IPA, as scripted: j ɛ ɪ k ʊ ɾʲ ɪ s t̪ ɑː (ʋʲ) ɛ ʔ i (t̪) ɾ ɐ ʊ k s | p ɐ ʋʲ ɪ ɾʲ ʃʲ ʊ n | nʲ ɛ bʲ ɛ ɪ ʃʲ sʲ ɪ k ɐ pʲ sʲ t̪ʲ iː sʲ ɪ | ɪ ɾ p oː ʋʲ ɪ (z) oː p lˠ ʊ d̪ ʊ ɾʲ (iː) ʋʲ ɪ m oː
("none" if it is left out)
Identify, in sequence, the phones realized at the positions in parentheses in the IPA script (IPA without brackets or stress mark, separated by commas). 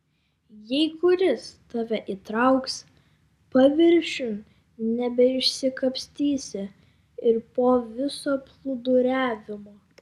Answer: ʋʲ, t̪, s, æː